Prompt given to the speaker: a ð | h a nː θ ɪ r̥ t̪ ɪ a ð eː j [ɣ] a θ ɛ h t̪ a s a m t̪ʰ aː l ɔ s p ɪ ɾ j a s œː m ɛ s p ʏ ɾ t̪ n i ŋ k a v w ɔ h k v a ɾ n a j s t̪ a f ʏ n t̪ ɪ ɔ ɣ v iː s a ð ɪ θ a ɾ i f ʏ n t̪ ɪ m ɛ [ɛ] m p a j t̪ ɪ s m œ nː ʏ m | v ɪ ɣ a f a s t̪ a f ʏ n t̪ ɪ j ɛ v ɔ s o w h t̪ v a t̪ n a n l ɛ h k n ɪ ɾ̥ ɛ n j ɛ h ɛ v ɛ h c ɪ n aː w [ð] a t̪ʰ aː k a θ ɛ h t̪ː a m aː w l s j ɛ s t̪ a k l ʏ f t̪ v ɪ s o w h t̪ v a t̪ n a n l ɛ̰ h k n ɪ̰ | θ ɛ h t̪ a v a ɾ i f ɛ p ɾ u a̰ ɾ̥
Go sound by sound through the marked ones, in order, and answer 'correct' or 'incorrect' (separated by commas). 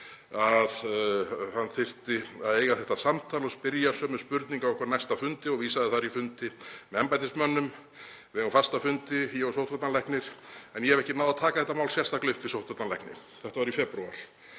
correct, correct, correct